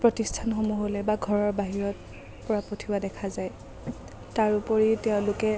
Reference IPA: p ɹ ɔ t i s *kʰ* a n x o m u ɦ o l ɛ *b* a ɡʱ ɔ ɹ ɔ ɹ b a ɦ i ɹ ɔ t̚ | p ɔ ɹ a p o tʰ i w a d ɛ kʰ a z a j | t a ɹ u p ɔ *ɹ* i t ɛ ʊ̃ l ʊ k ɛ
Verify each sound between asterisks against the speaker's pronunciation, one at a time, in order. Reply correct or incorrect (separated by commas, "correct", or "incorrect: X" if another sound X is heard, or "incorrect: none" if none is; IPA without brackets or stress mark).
incorrect: tʰ, correct, correct